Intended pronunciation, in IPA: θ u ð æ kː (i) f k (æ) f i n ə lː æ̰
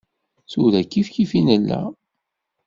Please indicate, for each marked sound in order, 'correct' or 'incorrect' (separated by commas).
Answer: correct, incorrect